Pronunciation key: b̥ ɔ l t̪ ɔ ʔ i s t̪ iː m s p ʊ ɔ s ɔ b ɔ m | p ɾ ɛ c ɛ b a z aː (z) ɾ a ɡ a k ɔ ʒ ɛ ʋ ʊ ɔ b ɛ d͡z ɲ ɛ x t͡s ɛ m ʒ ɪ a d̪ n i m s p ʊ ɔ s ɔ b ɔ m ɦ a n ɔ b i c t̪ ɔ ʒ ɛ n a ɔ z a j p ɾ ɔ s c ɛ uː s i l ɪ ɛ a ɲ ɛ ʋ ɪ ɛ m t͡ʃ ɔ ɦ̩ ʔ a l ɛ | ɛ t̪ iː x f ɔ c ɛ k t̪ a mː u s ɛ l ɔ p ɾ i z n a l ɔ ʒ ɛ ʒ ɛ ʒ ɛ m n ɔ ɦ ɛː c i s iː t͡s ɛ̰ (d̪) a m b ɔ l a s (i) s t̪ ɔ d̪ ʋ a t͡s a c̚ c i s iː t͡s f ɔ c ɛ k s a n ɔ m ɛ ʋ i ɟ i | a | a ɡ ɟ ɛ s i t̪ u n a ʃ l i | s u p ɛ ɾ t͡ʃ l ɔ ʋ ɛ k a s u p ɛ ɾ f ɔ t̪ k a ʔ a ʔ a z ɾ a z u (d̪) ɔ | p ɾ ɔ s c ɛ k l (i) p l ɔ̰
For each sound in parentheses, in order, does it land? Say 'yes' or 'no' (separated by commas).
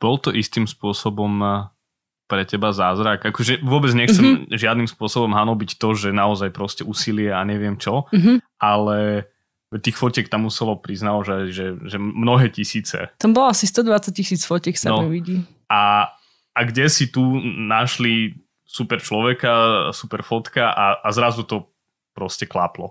yes, no, yes, no, no